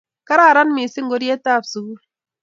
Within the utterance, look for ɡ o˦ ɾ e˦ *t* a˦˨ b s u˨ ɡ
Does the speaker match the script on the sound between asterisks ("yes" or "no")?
yes